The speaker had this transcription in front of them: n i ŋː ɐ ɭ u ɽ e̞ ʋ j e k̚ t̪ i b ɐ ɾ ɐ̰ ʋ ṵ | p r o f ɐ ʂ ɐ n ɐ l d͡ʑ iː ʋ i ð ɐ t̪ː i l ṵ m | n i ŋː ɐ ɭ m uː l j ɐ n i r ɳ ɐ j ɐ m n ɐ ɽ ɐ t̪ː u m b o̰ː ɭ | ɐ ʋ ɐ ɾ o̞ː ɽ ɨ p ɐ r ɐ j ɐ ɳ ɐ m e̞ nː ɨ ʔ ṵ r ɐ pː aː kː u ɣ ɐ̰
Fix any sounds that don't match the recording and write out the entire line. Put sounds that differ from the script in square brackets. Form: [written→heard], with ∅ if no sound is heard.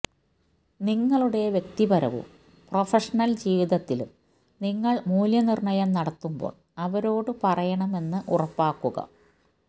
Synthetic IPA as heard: n i ŋː ɐ ɭ u ɽ e̞ ʋ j e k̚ t̪ i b ɐ ɾ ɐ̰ ʋ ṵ | p r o f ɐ ʂ ɐ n ɐ l d͡ʑ iː ʋ i ð ɐ t̪ː i l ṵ m | n i ŋː ɐ ɭ m uː l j ɐ n i r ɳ ɐ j ɐ m n ɐ ɽ ɐ t̪ː u m b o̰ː ɭ | ɐ ʋ ɐ ɾ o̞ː ɽ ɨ p ɐ r ɐ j ɐ ɳ ɐ m e̞ nː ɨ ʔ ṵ r ɐ pː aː kː u ɣ ɐ̰